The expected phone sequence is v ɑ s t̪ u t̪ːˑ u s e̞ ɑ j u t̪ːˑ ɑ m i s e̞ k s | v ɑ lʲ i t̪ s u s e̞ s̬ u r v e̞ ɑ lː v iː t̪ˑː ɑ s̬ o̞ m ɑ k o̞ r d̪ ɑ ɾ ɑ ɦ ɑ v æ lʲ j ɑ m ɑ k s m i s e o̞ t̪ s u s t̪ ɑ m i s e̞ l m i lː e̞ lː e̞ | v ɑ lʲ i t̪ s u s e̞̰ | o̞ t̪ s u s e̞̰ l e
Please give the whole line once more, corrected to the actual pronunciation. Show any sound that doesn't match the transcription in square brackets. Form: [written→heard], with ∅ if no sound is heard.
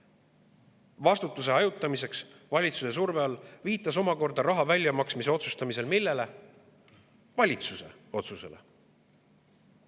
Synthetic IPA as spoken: v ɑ s t̪ u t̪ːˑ u s e̞ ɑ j u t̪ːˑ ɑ m i s e̞ k s | v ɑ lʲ i t̪ s u s e̞ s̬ u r v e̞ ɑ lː v iː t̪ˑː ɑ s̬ o̞ m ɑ k o̞ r d̪ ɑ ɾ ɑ ɦ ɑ v æ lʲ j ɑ m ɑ k s m i s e o̞ t̪ s u s t̪ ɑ m i s e̞ l m i lː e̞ [lː→l] e̞ | v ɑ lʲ i t̪ s u s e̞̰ | o̞ t̪ s u s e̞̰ l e